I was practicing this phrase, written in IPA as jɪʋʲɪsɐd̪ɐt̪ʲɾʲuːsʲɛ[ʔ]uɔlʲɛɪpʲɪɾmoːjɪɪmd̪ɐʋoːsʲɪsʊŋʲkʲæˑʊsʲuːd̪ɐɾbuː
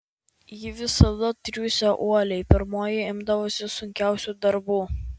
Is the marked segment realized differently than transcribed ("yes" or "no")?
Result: no